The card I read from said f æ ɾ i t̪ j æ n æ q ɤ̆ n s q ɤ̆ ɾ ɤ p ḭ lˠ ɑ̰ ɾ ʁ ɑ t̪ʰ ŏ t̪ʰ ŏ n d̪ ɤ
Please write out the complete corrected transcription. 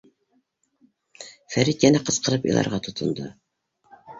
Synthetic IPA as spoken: f æ ɾ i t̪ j æ n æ q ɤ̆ s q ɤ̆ ɾ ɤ p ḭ lˠ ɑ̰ ɾ ʁ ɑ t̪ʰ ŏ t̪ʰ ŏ n d̪ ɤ